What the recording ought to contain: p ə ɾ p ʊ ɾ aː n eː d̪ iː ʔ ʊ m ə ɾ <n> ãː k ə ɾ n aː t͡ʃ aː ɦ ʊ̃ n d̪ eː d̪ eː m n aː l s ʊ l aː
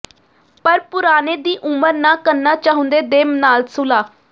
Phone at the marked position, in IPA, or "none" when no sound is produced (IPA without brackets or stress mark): n